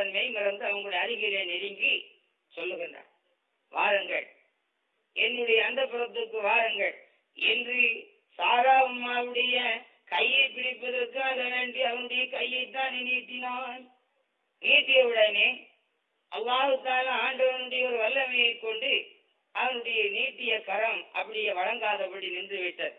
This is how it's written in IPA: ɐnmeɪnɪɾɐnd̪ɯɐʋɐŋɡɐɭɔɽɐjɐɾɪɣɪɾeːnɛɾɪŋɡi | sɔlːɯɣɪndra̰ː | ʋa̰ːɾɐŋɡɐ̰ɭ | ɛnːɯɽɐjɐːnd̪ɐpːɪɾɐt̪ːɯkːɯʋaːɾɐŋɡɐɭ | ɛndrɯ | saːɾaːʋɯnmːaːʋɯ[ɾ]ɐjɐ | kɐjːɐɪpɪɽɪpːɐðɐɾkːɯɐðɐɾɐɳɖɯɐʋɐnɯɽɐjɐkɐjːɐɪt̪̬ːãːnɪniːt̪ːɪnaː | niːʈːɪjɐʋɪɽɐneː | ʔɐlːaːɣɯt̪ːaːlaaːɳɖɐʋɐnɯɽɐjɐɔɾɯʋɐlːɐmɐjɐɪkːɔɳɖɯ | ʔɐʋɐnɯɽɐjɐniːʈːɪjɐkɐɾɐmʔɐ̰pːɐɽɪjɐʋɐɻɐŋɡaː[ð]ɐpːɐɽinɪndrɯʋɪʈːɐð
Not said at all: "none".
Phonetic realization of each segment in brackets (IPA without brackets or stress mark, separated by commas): ɽ, ð